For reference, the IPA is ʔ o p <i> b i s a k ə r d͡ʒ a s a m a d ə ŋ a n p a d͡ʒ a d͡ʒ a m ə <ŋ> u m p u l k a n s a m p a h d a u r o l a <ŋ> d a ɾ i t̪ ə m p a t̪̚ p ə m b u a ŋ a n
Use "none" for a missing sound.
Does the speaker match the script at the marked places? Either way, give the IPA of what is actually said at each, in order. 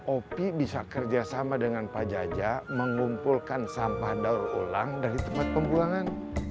i, ŋ, ŋ

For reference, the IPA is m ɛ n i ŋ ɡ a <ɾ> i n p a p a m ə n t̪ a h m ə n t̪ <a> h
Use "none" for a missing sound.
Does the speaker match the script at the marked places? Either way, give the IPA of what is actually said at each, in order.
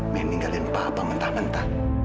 l, a

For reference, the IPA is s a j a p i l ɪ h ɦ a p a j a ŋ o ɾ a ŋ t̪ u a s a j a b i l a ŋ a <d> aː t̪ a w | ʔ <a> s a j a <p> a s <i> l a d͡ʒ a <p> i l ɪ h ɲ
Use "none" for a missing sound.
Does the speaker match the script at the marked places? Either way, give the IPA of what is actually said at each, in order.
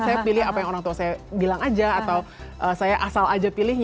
d͡ʒ, ə, ʔ, a, p

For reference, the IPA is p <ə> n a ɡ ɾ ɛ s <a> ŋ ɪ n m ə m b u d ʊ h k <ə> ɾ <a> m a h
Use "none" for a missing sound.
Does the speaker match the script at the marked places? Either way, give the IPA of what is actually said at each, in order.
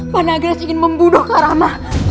a, i, a, a

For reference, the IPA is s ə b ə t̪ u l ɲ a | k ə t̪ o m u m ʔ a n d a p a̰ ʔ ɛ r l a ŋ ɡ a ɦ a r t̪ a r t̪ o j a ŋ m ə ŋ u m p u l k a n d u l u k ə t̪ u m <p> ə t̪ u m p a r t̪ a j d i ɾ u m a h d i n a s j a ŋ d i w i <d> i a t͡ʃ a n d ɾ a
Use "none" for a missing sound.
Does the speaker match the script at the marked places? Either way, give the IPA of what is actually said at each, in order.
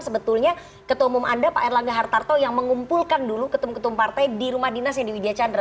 k, d

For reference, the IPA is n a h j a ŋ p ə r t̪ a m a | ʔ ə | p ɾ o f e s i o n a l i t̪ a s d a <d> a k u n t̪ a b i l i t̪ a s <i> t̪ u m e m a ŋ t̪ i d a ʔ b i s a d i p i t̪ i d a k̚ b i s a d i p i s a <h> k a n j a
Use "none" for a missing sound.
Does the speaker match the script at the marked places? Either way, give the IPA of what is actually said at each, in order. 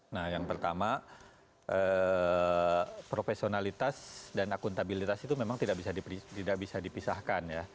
n, i, h

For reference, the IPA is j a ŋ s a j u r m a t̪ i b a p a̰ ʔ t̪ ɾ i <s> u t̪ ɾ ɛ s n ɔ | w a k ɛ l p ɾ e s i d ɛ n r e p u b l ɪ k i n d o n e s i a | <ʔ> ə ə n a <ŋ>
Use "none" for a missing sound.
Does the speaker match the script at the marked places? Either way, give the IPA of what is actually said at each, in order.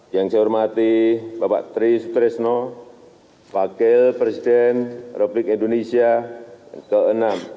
s, k, m

